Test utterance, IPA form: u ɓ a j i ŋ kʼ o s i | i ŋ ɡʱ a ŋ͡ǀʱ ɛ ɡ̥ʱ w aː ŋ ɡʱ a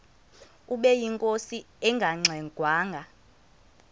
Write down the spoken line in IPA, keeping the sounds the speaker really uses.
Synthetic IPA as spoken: u ɓ ɛ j i ŋ kʼ o s i | ɛ ŋ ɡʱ a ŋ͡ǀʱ ɛ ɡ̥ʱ w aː ŋ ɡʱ a